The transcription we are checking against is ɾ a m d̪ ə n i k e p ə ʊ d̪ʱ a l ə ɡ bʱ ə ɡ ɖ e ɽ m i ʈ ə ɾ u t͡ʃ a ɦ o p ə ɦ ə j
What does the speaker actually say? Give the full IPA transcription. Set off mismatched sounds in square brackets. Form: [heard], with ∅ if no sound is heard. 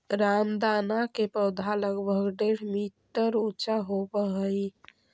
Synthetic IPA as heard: ɾ a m d̪ [a] n [a] k e p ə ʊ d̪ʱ a l ə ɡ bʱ ə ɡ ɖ e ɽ m i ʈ ə ɾ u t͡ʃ a ɦ o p ə ɦ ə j